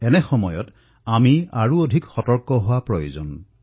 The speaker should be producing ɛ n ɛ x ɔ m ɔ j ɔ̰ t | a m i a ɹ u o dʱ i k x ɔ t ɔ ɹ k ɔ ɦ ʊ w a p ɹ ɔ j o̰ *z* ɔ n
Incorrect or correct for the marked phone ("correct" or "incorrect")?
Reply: correct